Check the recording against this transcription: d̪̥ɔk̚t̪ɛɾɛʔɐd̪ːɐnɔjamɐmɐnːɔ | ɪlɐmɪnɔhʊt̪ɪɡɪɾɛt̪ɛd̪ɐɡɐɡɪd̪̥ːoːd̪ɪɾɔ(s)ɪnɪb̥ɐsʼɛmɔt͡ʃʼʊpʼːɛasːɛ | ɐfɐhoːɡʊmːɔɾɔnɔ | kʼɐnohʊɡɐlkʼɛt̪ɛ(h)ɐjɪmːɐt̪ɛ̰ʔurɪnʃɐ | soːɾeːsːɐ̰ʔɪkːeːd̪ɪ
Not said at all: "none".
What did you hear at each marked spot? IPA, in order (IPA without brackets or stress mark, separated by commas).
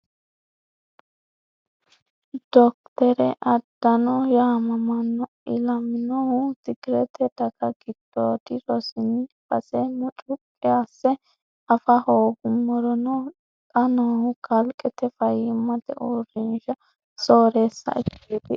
s, f